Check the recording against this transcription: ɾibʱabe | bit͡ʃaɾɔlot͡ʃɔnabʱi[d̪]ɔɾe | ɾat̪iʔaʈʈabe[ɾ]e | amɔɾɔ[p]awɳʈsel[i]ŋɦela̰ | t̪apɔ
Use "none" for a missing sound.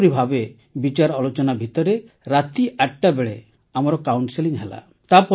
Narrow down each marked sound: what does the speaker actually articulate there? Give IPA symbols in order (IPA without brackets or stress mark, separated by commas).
t̪, ɭ, k, i